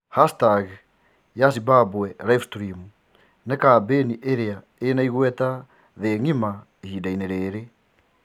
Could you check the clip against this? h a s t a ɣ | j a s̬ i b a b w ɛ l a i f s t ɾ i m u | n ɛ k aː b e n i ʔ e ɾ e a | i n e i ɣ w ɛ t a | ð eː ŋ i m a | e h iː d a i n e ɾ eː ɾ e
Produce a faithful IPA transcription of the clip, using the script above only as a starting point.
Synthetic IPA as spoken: h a s t a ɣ | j a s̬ i b a b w ɛ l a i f s t ɾ i m u | n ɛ k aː b e n i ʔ e ɾ e a | e n a i ɣ w ɛ t a | ð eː ŋ i m a | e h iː d a i n e ɾ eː ɾ e

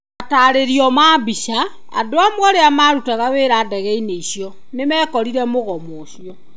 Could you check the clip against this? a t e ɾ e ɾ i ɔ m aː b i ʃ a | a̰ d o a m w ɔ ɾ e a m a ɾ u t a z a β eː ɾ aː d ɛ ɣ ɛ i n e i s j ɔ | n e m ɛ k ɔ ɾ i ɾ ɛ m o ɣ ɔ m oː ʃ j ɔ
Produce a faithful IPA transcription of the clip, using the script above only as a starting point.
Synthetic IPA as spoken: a t a ɾ e ɾ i ɔ m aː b i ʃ a | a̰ d o a m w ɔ ɾ e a m a ɾ u t a ɣ a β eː ɾ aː d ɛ ɣ ɛ i n e i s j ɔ | n e m ɛ k ɔ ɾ i ɾ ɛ m o ɣ ɔ m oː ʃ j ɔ

